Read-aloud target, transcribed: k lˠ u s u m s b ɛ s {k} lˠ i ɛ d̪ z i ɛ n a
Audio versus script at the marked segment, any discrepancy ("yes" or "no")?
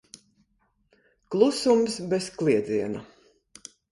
no